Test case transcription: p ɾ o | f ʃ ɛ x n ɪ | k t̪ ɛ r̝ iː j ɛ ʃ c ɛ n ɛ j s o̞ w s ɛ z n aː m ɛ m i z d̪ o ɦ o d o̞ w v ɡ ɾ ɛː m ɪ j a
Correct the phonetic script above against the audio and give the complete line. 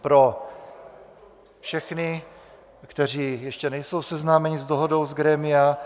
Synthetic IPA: p ɾ o | f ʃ ɛ x n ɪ | k t̪ ɛ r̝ iː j ɛ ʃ c ɛ n ɛ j s o̞ w s ɛ z n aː m ɛ ɲ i z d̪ o ɦ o d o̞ w z ɡ ɾ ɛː m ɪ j a